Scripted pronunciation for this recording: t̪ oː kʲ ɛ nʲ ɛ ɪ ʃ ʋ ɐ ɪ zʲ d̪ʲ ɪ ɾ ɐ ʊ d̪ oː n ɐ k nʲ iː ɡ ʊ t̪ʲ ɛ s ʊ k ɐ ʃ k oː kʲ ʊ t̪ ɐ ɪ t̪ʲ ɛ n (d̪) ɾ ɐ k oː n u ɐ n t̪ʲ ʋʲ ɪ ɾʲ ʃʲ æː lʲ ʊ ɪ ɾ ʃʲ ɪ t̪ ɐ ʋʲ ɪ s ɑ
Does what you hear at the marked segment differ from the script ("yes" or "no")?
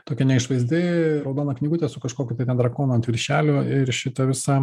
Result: no